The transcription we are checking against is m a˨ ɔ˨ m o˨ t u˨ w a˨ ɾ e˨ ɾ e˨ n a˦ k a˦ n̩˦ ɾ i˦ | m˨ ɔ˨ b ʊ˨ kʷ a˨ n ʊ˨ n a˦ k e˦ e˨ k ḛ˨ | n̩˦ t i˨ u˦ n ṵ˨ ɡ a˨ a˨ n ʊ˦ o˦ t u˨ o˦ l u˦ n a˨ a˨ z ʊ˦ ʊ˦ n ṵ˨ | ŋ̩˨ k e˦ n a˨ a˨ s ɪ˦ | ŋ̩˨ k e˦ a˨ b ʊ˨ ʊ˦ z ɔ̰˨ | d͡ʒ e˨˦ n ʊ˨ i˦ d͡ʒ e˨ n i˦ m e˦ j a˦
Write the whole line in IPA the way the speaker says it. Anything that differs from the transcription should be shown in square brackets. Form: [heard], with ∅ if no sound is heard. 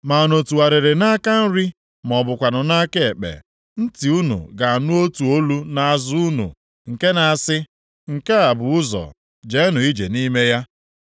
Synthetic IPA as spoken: m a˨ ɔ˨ [n] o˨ t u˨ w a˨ ɾ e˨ ɾ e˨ n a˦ k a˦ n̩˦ ɾ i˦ | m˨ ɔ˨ b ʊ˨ kʷ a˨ n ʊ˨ n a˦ k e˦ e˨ [k͡p] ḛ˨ | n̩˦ t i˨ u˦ n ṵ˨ ɡ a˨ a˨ n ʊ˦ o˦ t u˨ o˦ l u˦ n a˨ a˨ z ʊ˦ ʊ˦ n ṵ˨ | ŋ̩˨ k e˦ n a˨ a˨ s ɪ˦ | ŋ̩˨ k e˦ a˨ b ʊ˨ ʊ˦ z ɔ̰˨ | d͡ʒ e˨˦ n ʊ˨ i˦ d͡ʒ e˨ n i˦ m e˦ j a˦